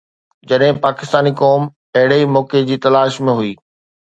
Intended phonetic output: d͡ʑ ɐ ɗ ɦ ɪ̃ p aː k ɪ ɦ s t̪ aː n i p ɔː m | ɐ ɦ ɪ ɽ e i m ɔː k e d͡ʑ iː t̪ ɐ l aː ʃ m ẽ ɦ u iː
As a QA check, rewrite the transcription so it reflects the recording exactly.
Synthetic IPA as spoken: d͡ʑ ɐ ɗ ɦ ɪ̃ p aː k ɪ s t̪ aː n i k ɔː m | ɐ ɦ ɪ ɽ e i m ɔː k e d͡ʑ iː t̪ ɐ l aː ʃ m ẽ ɦ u iː